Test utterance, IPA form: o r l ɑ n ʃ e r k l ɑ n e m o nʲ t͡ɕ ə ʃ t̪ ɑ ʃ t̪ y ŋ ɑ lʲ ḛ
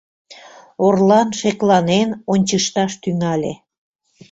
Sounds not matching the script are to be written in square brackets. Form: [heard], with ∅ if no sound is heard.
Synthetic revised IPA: o r l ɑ n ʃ e [∅] k l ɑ n e [n] o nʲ t͡ɕ ə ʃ t̪ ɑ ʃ t̪ y ŋ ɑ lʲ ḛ

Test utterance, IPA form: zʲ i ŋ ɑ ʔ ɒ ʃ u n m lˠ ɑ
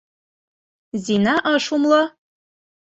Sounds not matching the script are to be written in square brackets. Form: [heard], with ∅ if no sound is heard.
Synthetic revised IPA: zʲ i [n] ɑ ʔ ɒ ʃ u [∅] m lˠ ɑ

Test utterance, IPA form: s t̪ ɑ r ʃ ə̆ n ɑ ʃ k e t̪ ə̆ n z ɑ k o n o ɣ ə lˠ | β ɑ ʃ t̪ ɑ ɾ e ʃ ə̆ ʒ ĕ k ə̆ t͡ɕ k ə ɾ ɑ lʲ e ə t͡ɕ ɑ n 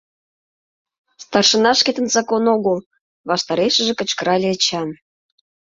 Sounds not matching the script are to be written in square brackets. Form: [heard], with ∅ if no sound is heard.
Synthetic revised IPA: s t̪ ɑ r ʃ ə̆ n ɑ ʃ k e t̪ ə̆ n z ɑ k o n o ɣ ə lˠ | β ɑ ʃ t̪ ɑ ɾ e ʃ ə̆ ʒ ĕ k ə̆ t͡ɕ k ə ɾ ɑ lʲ e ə t͡ɕ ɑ n

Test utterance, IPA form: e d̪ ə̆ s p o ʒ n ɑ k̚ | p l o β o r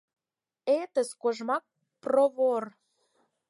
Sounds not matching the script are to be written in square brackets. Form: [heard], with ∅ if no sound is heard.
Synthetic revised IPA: e [t̪] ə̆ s [k] o ʒ [m] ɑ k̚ | p [r] o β o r

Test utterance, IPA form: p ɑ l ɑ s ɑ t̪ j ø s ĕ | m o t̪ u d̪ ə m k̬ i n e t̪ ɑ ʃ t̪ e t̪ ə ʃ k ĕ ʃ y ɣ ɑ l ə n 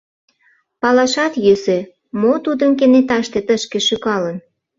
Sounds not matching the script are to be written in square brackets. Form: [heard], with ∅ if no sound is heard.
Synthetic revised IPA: p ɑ l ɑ [ʃ] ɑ t̪ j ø s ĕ | m o t̪ u d̪ ə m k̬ [e] n e t̪ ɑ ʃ t̪ e t̪ ə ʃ k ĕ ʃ y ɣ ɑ l ə n

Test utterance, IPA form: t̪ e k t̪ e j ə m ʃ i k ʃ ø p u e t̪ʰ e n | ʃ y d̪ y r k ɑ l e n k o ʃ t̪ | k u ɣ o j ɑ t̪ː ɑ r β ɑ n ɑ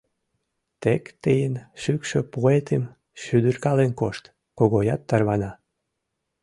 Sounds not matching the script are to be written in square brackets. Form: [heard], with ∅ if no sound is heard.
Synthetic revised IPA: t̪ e k t̪ e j ə [n] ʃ [y] k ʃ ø p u e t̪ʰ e [m] | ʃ y d̪ y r k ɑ l e n k o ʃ t̪ | k [o] ɣ o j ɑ t̪ː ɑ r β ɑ n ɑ

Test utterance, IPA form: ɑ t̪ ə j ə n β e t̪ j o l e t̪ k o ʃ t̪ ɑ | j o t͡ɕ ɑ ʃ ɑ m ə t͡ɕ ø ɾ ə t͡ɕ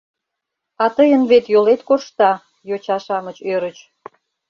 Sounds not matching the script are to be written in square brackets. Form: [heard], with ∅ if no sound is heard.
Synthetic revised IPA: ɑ t̪ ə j ə n β e t̪ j o l e t̪ k o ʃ t̪ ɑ | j o t͡ɕ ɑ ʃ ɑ m ə t͡ɕ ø ɾ ə t͡ɕ

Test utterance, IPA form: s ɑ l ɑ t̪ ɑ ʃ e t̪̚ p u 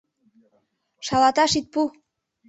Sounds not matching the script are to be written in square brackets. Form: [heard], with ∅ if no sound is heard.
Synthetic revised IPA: [ʃ] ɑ l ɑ t̪ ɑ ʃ [i] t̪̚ p u

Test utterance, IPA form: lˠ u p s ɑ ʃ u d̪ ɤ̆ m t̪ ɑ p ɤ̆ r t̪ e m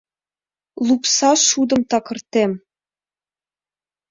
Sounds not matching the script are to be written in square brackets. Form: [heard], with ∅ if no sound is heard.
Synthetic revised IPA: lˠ u p s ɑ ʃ u d̪ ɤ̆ m t̪ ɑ [k] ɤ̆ r t̪ e m

